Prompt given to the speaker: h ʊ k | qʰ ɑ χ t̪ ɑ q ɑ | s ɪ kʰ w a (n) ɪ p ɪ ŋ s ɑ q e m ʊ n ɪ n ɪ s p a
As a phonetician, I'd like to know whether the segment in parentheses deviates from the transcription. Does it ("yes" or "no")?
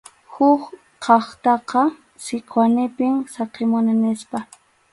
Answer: no